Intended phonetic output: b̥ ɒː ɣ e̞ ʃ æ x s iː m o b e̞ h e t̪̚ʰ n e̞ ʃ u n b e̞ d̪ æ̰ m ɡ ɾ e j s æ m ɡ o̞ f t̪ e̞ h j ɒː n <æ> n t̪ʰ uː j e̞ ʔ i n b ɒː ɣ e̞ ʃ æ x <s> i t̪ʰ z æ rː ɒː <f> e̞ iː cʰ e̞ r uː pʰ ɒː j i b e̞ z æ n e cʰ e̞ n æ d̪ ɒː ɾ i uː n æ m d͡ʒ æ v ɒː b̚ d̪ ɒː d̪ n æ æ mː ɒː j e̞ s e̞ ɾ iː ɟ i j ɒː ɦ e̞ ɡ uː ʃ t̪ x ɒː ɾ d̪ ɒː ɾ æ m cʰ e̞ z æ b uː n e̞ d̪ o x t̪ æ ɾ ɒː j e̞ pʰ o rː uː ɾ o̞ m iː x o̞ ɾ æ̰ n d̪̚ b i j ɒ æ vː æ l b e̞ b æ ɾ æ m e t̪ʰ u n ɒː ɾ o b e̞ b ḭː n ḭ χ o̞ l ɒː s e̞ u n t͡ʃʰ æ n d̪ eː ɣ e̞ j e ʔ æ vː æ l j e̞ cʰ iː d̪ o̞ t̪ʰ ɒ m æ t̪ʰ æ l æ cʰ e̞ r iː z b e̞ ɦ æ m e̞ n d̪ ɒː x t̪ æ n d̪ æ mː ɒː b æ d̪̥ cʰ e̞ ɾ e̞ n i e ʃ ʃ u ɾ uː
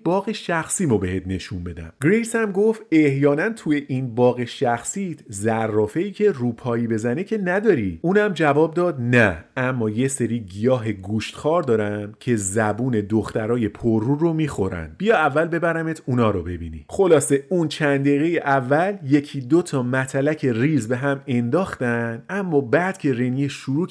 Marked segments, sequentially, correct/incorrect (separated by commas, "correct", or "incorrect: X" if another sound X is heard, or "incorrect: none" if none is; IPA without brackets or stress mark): correct, correct, correct